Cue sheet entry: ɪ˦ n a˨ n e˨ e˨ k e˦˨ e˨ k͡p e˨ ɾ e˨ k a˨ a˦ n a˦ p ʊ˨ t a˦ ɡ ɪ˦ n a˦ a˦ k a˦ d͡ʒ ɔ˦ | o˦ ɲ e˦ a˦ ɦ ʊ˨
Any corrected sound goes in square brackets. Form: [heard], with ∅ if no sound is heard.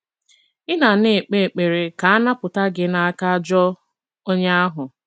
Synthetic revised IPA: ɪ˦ n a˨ n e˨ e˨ [k͡p] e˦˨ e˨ k͡p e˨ ɾ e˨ k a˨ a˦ n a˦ p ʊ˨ t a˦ ɡ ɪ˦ n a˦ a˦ k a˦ d͡ʒ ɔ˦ | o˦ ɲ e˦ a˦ ɦ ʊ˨